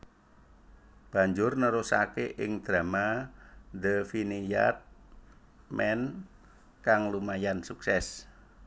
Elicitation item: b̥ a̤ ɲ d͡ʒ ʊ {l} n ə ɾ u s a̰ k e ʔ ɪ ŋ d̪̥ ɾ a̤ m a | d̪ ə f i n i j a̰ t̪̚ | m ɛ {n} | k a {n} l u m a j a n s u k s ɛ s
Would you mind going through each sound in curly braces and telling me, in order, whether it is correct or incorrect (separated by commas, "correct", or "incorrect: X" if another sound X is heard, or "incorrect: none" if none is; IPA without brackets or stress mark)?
incorrect: r, correct, incorrect: ŋ